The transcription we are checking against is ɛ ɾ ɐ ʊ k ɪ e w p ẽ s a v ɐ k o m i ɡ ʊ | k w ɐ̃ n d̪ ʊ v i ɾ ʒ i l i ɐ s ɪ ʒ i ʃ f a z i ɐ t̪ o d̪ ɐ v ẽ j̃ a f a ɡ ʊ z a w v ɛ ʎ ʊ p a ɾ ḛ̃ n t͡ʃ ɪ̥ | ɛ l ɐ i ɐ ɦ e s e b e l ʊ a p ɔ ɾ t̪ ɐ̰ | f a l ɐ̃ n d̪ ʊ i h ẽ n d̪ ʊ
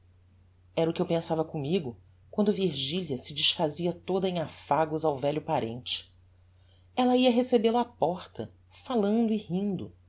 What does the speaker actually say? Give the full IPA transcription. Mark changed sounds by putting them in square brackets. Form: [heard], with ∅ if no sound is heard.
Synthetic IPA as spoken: ɛ ɾ ɐ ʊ k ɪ e w p ẽ s a v ɐ k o m i ɡ ʊ | k w ɐ̃ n d̪ ʊ v i ɾ ʒ i l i ɐ s ɪ [d͡ʒ] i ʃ f a z i ɐ t̪ o d̪ ɐ [∅] ẽ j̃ a f a ɡ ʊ z a w v ɛ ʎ ʊ p a ɾ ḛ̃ n t͡ʃ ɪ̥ | ɛ l ɐ i ɐ ɦ e s e b e l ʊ a p ɔ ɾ t̪ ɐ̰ | f a l ɐ̃ n d̪ ʊ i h [ĩ] n d̪ ʊ